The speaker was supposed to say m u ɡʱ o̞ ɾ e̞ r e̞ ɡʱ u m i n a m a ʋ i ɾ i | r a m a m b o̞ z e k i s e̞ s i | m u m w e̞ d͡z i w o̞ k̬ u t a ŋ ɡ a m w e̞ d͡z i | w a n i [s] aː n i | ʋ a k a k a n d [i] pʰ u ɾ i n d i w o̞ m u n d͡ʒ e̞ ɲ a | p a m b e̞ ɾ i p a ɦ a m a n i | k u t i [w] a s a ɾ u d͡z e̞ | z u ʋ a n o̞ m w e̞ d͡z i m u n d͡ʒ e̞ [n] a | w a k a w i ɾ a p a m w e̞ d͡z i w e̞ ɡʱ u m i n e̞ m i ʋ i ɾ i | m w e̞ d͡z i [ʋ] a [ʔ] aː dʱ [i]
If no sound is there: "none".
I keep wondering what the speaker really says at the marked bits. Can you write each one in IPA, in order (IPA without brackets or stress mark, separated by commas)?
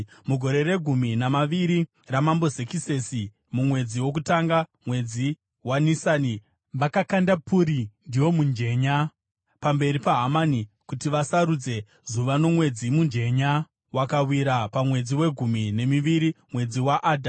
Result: s, a, ʋ, ɲ, w, ʔ, a